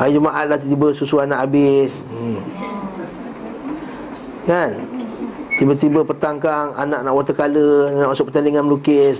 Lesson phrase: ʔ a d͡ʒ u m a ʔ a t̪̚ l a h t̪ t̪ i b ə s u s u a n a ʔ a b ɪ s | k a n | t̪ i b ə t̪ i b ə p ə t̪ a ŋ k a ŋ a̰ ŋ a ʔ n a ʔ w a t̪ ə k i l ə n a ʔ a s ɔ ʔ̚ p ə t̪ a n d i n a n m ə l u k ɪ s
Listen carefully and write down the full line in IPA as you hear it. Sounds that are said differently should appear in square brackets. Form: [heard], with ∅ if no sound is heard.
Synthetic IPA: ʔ a d͡ʒ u m a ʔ a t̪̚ l a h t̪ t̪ i b ə s u s u a n a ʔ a b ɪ s | k a n | t̪ i b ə t̪ i b ə p ə t̪ a ŋ k a ŋ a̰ [n] a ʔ n a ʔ w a t̪ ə k [a] l ə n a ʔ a s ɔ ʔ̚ p ə t̪ a n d i [ŋ] a n m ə l u k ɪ s